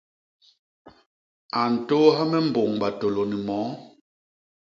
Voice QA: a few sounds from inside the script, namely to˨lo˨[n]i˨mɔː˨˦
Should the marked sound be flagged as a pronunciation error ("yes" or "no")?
no